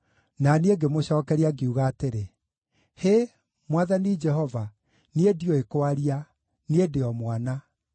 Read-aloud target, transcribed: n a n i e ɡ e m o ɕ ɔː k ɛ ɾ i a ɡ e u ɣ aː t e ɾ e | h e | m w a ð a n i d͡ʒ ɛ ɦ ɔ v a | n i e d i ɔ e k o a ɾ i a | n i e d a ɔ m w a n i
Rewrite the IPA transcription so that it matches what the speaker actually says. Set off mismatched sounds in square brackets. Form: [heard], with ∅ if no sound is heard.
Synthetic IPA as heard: n a n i e ɡ e m o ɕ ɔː k ɛ ɾ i a ɡ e u ɣ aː t e ɾ e | h e | m w a ð a n i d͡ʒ ɛ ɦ ɔ v a | n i e d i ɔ e k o a ɾ i a | n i e d [e] ɔ m w a n [a]